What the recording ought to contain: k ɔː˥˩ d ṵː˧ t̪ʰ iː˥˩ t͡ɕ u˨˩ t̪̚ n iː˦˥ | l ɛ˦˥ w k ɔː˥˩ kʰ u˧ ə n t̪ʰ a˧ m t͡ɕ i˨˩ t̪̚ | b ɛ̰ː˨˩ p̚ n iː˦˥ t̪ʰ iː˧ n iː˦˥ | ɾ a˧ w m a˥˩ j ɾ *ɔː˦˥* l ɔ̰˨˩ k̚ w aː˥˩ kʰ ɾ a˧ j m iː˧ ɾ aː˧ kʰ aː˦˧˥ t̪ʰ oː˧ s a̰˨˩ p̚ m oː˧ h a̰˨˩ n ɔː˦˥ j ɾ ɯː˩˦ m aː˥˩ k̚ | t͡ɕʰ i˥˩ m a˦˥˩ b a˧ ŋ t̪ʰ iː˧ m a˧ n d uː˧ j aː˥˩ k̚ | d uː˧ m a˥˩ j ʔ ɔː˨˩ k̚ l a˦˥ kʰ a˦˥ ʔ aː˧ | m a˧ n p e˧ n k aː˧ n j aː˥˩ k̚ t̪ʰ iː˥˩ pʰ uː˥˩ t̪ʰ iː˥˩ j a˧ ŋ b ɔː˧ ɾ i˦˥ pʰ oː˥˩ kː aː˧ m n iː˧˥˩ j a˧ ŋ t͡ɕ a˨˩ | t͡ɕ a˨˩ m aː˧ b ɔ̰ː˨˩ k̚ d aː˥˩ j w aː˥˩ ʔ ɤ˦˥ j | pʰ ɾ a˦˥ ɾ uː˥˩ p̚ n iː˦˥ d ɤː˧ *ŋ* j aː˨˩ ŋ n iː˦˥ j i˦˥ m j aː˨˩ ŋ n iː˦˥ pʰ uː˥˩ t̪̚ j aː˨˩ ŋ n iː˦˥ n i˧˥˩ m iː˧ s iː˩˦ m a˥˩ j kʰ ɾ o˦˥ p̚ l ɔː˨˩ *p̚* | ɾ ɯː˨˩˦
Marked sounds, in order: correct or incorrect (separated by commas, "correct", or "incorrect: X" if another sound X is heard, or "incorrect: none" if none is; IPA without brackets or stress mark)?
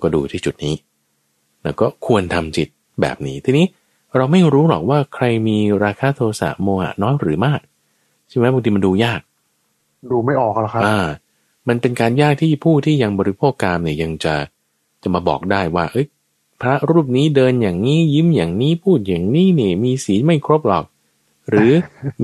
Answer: incorrect: uː˦˥, incorrect: n, incorrect: k̚